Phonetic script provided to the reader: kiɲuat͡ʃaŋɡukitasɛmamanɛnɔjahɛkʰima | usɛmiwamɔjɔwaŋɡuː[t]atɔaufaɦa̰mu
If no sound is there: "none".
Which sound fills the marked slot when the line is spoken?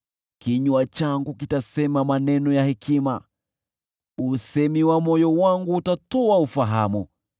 t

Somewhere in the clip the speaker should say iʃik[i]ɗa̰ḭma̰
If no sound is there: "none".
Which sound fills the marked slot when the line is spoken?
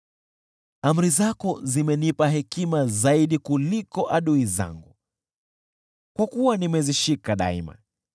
a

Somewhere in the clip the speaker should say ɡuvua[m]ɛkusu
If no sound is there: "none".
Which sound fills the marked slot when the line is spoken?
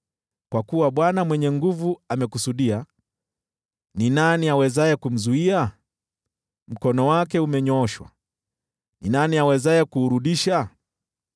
m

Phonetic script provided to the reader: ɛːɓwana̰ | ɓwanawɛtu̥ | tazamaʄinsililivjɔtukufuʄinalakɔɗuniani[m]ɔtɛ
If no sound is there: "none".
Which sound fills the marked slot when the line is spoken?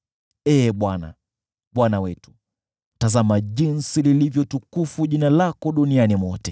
m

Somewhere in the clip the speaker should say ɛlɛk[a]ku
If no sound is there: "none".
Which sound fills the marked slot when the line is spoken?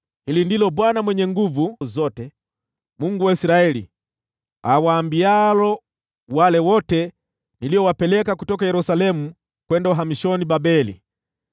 a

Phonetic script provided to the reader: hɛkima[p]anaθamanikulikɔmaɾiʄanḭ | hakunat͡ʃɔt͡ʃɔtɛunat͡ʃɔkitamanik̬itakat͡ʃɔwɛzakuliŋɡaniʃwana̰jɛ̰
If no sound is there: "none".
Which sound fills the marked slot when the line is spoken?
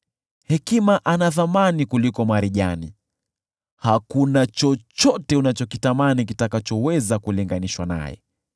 ʔ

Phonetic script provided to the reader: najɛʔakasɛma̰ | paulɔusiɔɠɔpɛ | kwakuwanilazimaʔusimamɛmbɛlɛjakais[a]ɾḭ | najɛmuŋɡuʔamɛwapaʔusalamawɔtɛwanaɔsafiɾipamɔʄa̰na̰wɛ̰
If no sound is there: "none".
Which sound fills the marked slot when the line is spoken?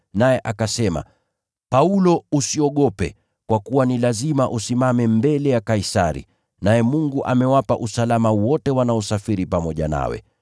a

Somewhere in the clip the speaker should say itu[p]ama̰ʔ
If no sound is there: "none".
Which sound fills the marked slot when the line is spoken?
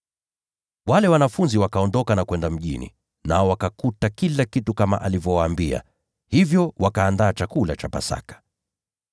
k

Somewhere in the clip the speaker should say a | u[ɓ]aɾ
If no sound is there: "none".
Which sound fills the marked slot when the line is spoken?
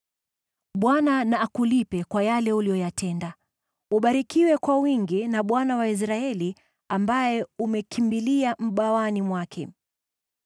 ɓ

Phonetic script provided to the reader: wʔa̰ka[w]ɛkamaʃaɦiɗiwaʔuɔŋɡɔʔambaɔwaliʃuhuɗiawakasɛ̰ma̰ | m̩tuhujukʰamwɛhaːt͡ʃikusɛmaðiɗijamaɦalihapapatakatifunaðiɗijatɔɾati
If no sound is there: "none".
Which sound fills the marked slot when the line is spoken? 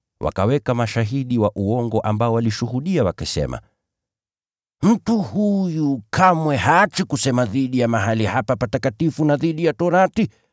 w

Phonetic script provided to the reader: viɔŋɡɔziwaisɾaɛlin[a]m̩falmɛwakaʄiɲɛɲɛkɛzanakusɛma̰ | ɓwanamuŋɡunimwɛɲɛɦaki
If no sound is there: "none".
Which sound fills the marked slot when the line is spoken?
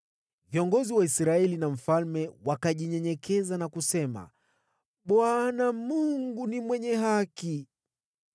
a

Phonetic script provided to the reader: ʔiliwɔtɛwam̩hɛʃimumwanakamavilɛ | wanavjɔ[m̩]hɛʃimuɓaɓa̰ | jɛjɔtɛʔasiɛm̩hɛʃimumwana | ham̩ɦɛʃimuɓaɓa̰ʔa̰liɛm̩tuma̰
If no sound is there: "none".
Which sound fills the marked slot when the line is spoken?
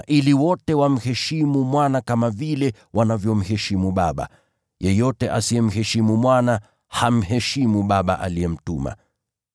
m̩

